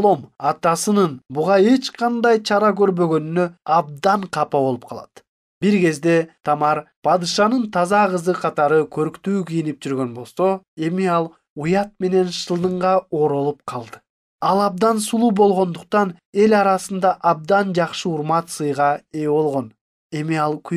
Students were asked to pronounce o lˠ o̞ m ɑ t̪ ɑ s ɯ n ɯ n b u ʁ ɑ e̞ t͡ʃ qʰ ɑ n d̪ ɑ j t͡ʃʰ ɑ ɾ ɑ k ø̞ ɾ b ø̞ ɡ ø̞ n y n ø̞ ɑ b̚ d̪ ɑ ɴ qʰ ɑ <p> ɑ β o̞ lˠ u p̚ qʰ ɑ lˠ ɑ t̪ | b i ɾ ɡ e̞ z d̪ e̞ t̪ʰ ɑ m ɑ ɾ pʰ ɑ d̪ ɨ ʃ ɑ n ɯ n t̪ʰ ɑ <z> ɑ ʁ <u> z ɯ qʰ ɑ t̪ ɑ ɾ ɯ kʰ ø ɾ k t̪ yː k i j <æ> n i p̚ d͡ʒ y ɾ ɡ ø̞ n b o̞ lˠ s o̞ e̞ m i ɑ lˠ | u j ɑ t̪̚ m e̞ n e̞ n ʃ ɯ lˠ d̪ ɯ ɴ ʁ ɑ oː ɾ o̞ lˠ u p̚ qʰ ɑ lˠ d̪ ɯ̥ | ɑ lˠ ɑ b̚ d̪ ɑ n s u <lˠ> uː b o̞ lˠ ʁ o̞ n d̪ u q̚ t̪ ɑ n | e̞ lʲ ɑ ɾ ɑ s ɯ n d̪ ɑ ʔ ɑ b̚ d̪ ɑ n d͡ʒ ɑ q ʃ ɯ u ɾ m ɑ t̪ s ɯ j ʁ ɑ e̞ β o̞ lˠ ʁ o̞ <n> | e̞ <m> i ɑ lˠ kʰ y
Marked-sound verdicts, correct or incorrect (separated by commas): correct, correct, incorrect, incorrect, correct, correct, correct